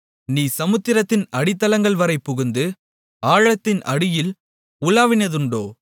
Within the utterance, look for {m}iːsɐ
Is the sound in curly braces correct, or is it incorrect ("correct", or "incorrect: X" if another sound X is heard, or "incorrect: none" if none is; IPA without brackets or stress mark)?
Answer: incorrect: n